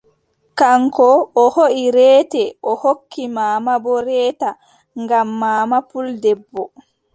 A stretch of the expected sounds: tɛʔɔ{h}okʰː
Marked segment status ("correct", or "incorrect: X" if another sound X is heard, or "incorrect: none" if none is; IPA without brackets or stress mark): correct